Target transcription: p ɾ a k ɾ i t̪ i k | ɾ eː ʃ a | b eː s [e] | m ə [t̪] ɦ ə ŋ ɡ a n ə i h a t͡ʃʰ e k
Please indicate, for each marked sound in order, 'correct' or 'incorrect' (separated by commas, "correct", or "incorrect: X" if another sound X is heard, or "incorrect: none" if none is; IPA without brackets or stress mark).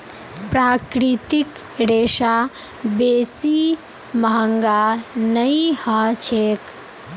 incorrect: i, incorrect: none